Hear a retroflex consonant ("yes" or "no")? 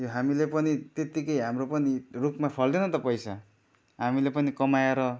no